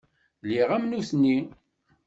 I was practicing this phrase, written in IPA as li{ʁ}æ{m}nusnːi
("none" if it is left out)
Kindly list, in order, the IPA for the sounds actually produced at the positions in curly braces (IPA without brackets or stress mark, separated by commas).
ʁ, m